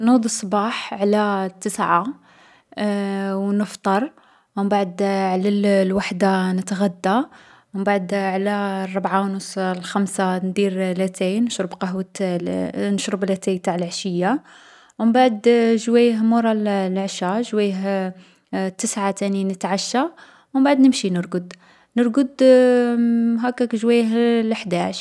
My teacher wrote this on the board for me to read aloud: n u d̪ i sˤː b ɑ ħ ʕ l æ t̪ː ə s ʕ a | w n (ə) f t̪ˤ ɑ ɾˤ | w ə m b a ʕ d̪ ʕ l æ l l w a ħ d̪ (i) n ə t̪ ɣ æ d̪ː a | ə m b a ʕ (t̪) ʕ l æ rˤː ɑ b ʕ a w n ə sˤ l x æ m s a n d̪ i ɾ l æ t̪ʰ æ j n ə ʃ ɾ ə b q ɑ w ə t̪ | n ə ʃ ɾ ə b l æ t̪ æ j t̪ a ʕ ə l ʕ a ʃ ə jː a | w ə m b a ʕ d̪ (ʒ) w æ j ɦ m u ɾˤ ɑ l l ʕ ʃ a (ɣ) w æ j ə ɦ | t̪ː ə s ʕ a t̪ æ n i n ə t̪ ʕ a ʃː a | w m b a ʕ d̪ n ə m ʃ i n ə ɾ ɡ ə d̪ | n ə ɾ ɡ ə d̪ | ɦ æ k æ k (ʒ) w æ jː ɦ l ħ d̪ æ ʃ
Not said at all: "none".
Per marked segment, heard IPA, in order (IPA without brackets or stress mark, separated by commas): ə, a, d̪, ʒ, ʒ, ʒ